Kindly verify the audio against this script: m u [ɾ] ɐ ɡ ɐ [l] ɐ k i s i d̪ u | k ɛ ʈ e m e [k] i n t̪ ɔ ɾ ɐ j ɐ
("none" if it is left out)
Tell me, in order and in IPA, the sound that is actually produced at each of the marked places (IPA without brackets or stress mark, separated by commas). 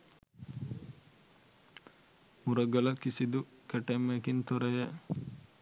ɾ, l, k